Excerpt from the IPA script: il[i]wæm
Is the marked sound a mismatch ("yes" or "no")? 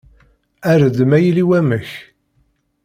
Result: no